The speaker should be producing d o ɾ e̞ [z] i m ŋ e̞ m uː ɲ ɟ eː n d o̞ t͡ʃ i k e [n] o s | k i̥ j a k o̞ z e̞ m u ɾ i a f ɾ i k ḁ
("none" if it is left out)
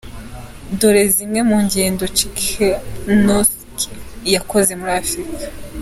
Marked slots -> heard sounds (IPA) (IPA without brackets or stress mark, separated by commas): z, n